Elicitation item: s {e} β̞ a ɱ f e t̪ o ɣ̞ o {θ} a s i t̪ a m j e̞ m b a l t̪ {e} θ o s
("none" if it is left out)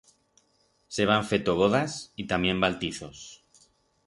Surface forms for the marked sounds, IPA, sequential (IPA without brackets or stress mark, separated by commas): e, ð, i